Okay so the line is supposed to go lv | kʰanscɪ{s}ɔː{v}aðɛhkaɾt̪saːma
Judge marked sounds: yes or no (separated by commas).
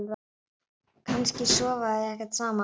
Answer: yes, yes